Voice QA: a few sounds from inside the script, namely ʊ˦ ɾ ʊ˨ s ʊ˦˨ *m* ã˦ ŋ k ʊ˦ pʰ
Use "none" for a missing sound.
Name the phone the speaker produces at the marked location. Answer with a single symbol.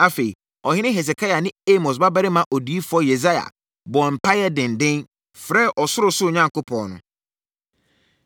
ɲ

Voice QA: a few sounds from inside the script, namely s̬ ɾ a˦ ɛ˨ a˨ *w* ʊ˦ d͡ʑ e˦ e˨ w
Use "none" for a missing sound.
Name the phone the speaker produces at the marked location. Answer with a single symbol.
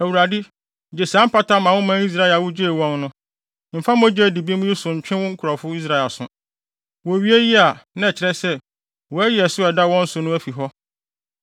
w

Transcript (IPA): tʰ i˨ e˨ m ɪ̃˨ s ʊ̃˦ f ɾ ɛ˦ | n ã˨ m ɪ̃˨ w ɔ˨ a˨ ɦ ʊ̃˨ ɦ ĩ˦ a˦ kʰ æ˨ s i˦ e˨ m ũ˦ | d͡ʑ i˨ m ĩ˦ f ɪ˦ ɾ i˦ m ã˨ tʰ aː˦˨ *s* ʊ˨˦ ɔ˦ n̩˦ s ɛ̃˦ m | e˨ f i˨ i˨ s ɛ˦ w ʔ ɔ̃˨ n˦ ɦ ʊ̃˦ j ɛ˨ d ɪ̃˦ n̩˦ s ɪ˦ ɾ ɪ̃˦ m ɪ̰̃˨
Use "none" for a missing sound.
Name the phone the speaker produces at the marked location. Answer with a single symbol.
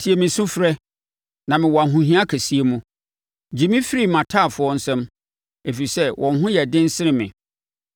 f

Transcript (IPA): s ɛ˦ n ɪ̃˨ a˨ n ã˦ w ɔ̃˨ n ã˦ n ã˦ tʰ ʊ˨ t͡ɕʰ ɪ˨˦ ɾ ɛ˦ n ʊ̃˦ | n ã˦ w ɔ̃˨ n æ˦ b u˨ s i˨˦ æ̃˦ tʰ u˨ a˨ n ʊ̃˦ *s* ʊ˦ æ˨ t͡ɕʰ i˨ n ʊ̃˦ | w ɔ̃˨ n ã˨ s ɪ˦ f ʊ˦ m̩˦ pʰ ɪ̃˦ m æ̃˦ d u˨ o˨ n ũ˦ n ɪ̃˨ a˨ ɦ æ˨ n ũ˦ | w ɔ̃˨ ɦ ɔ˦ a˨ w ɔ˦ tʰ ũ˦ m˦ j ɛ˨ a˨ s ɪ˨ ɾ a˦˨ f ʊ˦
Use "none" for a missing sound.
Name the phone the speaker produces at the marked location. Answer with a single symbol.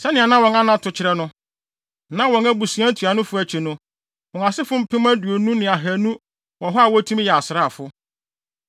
f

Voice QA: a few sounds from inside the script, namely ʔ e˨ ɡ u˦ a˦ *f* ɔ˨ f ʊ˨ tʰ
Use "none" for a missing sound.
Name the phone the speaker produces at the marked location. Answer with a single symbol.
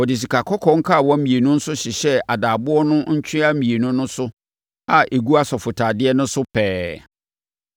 s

